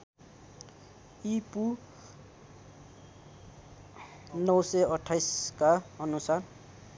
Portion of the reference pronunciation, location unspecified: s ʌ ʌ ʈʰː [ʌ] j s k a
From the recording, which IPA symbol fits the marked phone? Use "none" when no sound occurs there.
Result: a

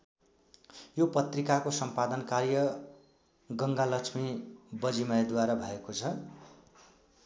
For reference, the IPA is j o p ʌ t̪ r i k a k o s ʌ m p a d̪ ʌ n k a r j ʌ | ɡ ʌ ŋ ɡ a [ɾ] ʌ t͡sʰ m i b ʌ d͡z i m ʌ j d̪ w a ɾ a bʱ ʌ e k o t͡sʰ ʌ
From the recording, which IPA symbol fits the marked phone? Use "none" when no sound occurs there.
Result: l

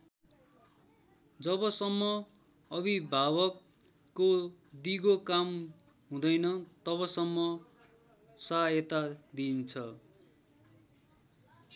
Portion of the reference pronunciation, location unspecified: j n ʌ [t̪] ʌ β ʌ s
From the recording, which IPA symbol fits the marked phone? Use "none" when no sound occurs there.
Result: t̪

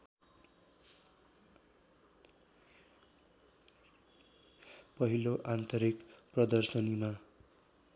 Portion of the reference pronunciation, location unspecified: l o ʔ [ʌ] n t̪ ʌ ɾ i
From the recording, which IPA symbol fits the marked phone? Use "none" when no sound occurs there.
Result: a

